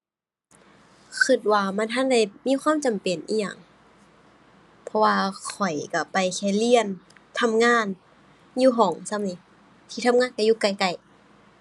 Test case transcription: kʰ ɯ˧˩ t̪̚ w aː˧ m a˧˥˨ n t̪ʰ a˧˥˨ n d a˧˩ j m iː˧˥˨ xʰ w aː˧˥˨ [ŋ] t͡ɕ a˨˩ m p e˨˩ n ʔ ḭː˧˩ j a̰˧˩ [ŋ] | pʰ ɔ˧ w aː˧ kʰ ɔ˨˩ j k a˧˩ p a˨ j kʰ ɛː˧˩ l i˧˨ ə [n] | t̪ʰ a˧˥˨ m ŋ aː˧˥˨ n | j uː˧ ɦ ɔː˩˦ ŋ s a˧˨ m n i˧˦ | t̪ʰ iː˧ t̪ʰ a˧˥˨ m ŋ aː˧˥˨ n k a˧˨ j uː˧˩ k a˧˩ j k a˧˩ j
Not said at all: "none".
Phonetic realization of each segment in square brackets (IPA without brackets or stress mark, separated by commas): m, ŋ, n